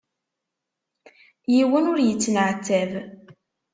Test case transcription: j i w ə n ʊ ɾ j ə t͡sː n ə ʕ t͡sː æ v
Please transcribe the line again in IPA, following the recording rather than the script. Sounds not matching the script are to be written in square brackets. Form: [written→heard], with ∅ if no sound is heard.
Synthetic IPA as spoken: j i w ə n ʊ ɾ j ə t͡sː n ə ʕ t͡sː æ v